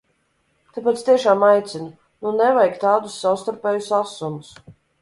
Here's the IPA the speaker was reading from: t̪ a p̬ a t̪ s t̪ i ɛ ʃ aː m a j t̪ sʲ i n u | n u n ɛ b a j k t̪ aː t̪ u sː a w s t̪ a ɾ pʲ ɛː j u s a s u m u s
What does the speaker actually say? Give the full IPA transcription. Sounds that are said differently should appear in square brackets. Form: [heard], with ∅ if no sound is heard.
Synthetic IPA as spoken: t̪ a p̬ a t̪ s t̪ i ɛ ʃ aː m a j t̪ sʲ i n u | n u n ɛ [v] a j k t̪ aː [d̪] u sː a w s t̪ a ɾ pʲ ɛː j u s a s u m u s